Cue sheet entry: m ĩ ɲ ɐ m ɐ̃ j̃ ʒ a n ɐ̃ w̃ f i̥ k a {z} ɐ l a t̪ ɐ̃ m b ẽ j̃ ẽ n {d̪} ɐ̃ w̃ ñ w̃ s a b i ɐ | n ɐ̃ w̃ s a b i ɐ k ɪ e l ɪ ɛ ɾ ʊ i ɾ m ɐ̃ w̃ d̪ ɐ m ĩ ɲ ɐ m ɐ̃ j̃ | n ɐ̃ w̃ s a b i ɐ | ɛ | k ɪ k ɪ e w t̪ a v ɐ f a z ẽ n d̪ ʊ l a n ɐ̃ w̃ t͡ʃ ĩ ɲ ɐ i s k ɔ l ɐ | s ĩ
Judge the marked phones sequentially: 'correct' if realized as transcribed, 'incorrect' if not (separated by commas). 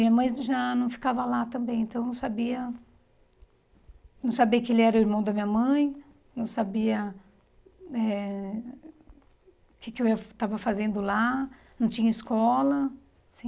incorrect, incorrect